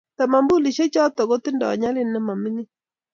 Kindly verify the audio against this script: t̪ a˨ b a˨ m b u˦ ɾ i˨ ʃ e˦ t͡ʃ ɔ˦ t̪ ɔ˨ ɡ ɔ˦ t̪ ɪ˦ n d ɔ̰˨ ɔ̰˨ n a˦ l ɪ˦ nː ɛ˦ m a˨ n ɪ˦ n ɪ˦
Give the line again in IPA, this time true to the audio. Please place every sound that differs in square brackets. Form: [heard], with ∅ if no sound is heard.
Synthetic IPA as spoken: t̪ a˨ [m] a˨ m b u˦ [l] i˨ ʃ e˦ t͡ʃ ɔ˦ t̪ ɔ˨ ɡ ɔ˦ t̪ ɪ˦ n d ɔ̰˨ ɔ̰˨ [ɲ] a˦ l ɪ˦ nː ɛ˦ m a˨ [m] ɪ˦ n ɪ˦